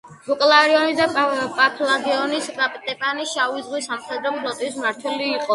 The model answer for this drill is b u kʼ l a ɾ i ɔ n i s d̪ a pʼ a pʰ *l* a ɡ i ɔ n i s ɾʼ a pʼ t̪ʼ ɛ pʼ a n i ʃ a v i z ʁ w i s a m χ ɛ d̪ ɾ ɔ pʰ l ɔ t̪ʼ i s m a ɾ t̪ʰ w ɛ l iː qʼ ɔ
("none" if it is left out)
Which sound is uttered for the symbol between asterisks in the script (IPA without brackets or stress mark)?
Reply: l